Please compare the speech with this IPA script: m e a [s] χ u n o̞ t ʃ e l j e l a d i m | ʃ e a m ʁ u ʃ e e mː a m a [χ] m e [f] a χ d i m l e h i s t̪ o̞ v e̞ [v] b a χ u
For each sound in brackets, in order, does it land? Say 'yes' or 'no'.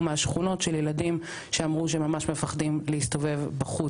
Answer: no, no, yes, yes

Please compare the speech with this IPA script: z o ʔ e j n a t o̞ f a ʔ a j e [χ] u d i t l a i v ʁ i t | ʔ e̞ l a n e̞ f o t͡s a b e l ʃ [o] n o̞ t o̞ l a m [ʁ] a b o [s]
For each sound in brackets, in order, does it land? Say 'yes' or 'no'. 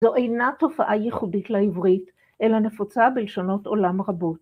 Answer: yes, yes, yes, no

